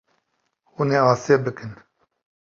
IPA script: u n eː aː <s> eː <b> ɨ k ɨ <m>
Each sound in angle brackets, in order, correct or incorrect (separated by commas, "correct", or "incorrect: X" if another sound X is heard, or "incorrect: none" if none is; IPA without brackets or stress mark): correct, correct, incorrect: n